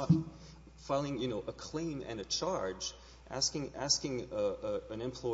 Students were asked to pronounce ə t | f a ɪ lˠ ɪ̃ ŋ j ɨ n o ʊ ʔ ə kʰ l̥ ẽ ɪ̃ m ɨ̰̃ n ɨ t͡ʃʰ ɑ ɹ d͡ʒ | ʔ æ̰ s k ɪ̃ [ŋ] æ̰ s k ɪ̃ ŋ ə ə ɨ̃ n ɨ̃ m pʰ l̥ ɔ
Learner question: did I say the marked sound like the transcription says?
yes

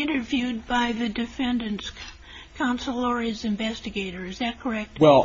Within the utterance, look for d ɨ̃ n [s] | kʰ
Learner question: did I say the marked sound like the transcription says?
yes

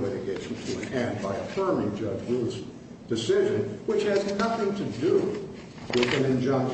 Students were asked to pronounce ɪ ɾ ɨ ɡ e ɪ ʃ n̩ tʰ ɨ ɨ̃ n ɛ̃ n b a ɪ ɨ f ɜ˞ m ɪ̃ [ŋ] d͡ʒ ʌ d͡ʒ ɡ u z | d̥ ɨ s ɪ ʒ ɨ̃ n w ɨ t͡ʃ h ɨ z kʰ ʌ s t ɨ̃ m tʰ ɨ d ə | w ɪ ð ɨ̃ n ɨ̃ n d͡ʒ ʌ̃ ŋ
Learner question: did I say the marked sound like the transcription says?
yes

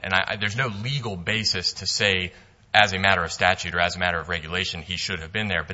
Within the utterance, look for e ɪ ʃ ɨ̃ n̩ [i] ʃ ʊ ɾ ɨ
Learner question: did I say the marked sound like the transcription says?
yes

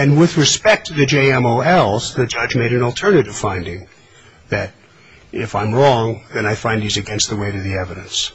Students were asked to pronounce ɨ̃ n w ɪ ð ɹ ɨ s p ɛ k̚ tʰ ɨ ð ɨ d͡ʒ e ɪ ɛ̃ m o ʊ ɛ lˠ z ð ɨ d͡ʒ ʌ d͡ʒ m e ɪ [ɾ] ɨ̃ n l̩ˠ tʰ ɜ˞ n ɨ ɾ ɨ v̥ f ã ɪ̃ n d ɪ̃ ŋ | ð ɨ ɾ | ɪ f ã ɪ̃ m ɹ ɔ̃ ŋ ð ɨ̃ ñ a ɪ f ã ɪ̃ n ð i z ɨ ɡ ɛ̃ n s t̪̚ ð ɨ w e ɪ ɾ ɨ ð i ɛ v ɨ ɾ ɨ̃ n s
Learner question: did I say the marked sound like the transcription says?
yes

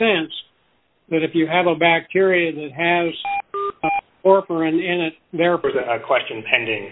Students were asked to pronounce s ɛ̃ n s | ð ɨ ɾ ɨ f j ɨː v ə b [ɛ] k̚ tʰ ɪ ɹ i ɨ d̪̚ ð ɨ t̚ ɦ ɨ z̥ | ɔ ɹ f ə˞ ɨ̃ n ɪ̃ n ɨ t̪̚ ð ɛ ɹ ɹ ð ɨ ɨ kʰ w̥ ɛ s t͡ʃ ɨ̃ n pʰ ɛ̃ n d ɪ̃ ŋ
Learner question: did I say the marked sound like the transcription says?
no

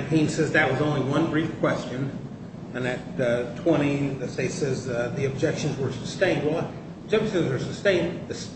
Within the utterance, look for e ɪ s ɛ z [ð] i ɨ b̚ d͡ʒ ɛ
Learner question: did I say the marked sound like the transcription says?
yes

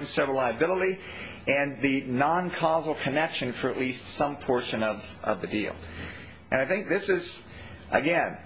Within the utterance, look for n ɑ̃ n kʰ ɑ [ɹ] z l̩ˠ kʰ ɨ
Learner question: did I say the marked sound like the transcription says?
no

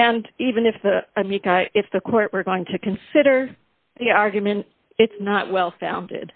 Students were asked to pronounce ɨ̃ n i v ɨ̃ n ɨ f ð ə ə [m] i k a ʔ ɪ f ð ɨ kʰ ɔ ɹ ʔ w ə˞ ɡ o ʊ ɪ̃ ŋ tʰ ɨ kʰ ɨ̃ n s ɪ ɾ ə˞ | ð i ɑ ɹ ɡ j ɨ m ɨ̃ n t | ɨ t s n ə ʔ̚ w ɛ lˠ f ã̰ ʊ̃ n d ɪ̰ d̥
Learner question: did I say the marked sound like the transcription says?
yes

